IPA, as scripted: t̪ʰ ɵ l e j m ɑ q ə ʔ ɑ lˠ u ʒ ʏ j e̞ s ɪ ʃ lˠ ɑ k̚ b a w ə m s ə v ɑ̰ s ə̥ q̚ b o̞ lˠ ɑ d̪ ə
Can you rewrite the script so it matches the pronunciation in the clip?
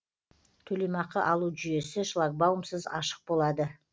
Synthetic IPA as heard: t̪ʰ ɵ l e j m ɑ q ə ʔ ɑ lˠ u ʒ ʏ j e̞ s ɪ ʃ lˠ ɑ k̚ b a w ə m s ə z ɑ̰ ʃ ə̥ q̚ b o̞ lˠ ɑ d̪ ə